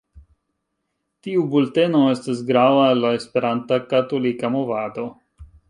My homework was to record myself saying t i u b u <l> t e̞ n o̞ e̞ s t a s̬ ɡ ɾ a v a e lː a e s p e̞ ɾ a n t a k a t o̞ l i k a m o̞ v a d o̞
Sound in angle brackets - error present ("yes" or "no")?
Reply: no